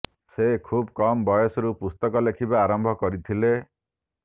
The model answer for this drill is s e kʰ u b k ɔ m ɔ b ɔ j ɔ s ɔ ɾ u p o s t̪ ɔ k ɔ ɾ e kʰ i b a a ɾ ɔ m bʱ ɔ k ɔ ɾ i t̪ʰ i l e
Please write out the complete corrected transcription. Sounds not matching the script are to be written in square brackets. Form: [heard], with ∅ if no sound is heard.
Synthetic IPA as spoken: s e kʰ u b k ɔ m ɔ b ɔ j ɔ s ɔ ɾ u p [u] s t̪ ɔ k ɔ [l] e kʰ i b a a ɾ ɔ m bʱ ɔ k ɔ ɾ i t̪ʰ i l e